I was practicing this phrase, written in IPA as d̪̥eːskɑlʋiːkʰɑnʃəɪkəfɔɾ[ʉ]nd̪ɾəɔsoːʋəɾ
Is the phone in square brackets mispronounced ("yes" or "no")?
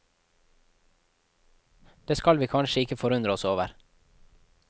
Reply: no